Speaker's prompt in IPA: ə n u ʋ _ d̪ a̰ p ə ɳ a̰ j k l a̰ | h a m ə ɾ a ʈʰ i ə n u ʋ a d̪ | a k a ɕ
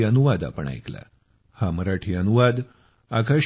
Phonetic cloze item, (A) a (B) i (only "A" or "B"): A